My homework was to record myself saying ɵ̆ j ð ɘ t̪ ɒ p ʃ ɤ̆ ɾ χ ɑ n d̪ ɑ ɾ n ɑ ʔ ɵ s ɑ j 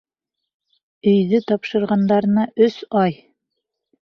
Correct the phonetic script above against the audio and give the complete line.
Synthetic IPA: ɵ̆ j ð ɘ t̪ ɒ p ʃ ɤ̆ ɾ ʁ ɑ n d̪ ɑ ɾ n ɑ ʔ ɵ s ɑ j